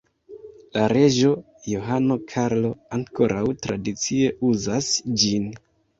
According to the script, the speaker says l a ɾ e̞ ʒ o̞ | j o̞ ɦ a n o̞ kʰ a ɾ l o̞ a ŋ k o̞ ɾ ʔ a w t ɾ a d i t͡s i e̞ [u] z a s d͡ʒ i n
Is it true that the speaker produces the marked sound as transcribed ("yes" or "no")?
yes